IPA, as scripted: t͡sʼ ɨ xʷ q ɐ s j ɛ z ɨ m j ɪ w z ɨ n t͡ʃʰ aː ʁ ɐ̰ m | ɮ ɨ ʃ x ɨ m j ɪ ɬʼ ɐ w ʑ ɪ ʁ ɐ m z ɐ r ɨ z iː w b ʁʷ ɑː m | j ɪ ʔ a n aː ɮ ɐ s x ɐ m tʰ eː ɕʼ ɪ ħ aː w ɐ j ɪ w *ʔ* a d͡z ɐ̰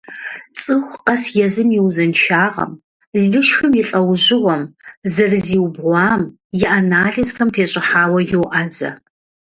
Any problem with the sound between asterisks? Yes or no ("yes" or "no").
no